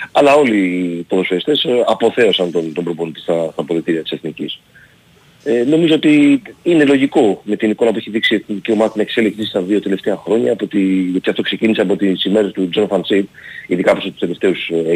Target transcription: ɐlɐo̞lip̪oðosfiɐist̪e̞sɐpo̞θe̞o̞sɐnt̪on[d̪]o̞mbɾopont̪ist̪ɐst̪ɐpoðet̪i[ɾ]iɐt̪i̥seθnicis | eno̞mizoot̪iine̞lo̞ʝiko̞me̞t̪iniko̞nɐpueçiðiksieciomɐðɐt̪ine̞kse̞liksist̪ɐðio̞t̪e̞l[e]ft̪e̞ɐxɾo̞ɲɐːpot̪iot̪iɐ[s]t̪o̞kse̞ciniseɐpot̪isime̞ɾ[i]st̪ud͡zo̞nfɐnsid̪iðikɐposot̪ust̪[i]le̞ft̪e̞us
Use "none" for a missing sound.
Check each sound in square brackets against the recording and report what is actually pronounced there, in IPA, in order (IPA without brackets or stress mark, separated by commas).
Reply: t̪, ɾ, e, f, e, e